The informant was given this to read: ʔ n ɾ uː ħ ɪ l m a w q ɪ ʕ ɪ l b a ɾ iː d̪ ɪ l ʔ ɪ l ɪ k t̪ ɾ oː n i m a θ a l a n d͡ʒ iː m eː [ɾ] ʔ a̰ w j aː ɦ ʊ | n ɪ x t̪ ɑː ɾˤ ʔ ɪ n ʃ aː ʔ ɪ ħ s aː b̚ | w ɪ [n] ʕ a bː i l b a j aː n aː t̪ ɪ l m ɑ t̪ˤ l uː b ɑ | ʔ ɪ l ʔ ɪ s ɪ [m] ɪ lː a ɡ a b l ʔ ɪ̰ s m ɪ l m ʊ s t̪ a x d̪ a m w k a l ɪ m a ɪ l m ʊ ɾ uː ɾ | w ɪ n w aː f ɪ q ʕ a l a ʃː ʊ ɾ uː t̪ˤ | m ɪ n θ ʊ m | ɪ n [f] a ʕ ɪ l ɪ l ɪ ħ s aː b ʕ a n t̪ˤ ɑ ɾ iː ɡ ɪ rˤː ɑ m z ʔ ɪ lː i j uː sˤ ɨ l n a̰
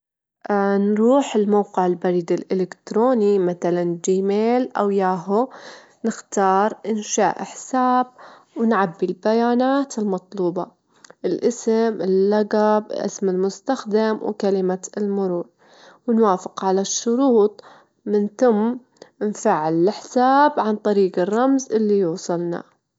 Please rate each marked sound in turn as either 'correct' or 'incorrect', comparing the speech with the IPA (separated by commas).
incorrect, correct, correct, correct